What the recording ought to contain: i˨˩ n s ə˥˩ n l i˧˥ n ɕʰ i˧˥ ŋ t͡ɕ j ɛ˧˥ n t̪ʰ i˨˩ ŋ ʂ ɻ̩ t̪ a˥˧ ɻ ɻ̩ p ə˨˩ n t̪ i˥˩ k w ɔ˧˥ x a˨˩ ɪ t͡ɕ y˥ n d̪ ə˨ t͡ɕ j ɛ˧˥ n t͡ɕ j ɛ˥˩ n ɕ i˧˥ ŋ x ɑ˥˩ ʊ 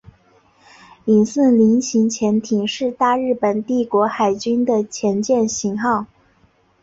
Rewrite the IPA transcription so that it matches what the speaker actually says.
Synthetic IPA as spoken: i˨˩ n s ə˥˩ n l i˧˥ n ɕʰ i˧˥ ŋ t͡ɕʰ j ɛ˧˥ n t̪ʰ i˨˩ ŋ ʂ ɻ̩ t̪ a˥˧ ɻ ɻ̩ p ə˨˩ n t̪ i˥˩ k w ɔ˧˥ x a˨˩ ɪ t͡ɕ y˥ n d̪ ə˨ t͡ɕʰ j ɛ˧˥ n t͡ɕ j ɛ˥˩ n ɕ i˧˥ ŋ x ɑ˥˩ ʊ